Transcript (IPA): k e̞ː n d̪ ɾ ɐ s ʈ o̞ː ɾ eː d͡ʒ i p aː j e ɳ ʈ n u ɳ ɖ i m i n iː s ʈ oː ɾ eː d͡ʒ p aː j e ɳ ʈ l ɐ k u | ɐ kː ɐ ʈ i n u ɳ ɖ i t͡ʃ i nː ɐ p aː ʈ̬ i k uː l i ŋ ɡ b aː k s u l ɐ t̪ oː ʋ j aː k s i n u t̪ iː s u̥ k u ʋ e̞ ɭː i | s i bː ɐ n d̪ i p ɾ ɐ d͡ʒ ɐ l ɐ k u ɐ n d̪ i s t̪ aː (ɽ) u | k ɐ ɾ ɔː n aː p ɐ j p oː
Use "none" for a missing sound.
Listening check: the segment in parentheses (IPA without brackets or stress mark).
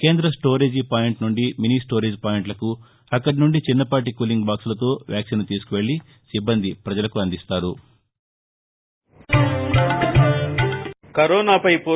ɾ